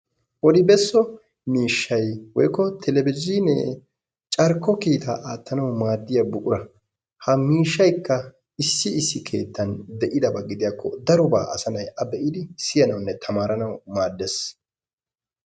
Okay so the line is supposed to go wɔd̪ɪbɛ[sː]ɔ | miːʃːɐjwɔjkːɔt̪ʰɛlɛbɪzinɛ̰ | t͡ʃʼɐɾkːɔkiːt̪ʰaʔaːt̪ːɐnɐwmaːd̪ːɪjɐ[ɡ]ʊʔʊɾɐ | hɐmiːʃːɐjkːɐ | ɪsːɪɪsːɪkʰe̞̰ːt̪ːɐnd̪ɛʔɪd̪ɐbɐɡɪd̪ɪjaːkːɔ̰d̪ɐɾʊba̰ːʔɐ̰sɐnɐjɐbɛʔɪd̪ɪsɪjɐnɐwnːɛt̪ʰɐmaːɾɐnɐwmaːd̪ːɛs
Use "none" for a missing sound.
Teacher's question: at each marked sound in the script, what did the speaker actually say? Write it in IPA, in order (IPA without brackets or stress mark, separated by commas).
sː, b